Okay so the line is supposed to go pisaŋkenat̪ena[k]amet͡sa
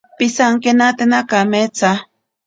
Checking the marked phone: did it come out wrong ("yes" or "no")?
no